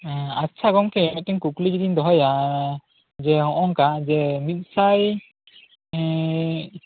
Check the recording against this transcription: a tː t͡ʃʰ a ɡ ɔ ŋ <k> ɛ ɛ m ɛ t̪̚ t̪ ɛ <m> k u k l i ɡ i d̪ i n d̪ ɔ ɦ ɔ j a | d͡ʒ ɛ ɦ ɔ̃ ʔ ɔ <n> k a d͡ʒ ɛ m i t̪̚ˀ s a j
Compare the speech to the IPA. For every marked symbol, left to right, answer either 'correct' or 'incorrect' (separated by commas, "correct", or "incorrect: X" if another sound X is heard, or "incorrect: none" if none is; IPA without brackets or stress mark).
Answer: correct, incorrect: ŋ, incorrect: ŋ